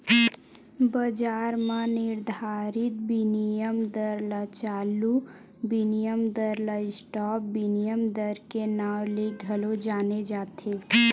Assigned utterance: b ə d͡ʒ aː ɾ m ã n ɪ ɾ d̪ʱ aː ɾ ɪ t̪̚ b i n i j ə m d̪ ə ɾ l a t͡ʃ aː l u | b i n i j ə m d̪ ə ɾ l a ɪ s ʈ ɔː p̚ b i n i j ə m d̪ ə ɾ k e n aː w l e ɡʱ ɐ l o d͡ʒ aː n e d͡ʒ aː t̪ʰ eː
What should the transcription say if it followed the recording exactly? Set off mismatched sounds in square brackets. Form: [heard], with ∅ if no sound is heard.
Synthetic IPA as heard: b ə d͡ʒ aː ɾ m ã n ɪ ɾ d̪ʱ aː ɾ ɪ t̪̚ b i n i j ə m d̪ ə ɾ l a t͡ʃ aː l u | b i n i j ə m d̪ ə ɾ l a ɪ s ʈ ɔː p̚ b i n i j ə m d̪ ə ɾ k e n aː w l e ɡʱ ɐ l o d͡ʒ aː n e d͡ʒ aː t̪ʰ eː